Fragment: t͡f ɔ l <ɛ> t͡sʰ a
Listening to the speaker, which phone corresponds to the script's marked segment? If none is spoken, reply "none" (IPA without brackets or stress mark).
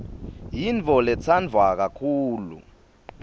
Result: ɛ